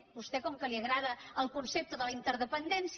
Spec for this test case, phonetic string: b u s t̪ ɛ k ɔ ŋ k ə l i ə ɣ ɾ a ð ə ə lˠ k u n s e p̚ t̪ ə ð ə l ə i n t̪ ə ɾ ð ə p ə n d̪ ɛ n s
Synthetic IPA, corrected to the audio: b u s t̪ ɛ k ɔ ŋ k ə l i ə ɣ ɾ a ð ə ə lˠ k u n s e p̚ t̪ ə ð ə l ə i n t̪ ə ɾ ð ə p ə n d̪ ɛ n s

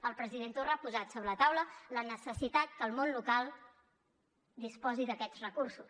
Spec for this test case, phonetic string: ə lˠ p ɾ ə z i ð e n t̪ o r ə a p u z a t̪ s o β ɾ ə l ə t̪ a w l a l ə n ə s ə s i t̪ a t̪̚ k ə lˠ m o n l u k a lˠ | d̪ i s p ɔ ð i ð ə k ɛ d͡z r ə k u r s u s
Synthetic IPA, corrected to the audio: ə lˠ p ɾ ə z i ð e n t̪ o r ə a p u z a t̪ s o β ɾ ə l ə t̪ a w l ə l ə n ə s ə s i t̪ a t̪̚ k ə lˠ m o n l u k a lˠ | d̪ i s p ɔ z i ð ə k ɛ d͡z r ə k u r s u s

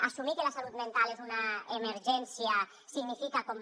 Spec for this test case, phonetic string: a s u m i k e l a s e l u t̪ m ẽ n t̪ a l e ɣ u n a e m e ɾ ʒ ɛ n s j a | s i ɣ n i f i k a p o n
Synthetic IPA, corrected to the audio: a s u m i k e l a s a l u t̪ m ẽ n t̪ a l e z u n a e m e ɾ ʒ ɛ n s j a | s i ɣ n i f i k a k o m

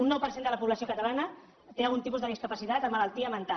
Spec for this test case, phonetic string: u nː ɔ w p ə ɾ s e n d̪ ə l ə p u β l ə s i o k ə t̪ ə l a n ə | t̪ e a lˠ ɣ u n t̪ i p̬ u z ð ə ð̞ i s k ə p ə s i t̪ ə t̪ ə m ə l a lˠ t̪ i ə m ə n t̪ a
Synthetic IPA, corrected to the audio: u nː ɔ w p ə ɾ s e n d̪ ə l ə p u β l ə s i o k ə t̪ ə l a n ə | t̪ e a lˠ ɣ u n t̪ i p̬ u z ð ə ð̞ i s k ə p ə s i t̪ a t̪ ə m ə l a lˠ t̪ i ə m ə n t̪ a

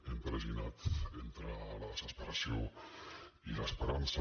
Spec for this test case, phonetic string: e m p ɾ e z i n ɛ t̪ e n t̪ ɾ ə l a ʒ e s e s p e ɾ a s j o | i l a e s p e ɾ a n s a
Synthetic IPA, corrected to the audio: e m p ɾ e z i n a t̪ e n t̪ ɾ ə l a ð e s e s p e ɾ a s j o | i l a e s p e ɾ a n s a

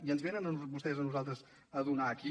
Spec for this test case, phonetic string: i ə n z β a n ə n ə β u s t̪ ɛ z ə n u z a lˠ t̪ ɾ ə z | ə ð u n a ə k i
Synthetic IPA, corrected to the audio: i ə n z β e n ə n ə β u s t̪ ɛ z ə n u z a lˠ t̪ ɾ ə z | ə ð u n a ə k i

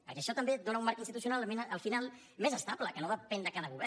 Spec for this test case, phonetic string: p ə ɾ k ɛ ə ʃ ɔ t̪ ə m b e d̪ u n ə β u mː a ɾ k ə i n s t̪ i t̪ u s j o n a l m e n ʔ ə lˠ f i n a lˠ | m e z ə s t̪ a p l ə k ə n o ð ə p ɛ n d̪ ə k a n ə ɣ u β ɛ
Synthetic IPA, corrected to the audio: p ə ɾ k ɛ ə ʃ ɔ t̪ ə m b e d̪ o n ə u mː a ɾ k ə i n s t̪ i t̪ u s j u n a l m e n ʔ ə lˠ f i n a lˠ | m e z ə s t̪ a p l ə k ə n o ð ə p ɛ n d̪ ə k a n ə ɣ u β ɛ

